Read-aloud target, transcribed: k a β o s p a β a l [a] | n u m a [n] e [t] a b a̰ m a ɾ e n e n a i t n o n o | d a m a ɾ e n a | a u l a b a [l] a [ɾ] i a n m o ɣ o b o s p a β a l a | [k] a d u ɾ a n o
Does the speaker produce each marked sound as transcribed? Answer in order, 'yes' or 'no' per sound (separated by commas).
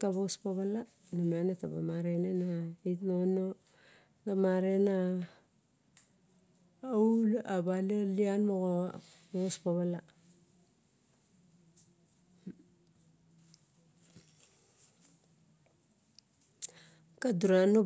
yes, yes, yes, yes, no, yes